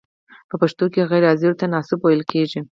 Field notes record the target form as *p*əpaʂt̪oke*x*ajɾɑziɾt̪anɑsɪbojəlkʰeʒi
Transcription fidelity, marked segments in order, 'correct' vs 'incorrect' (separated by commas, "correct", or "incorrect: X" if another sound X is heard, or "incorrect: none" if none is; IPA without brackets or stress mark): correct, incorrect: ɣ